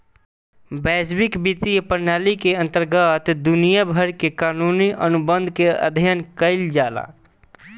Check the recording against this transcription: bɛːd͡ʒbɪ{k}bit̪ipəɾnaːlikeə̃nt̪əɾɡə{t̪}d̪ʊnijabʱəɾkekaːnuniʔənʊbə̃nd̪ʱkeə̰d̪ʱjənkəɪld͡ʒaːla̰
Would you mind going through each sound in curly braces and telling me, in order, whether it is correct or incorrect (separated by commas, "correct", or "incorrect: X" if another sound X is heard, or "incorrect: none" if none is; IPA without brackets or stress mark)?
correct, correct